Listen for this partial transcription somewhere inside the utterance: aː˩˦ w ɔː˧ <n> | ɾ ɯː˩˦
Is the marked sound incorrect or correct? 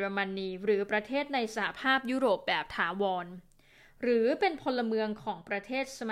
correct